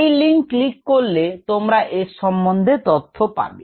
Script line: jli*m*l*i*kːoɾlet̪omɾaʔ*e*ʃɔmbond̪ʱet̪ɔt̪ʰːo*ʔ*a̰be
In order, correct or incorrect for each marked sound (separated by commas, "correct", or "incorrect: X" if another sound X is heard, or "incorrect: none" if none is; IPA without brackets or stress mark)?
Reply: incorrect: ŋ, correct, correct, incorrect: p